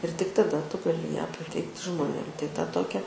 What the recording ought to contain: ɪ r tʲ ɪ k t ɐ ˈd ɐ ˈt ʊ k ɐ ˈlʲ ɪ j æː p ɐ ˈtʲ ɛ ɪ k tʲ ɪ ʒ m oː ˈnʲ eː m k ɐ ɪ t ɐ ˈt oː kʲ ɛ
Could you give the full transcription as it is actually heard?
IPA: ɪ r tʲ ɪ k t ɐ ˈd ɐ ˈt ʊ ɡ ɐ ˈlʲ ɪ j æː p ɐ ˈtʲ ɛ ɪ k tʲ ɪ ʒ m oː ˈnʲ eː m t ɐ ɪ t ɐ ˈt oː kʲ ɛ